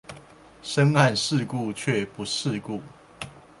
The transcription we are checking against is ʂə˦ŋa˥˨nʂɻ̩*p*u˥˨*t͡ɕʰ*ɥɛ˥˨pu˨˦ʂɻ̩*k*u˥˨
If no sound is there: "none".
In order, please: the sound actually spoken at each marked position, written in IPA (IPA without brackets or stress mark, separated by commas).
k, t͡ɕʰ, k